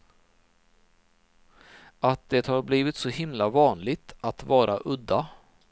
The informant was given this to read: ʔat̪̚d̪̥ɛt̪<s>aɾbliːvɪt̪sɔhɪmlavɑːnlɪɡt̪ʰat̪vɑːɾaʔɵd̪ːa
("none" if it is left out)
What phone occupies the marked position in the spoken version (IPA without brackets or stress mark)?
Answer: h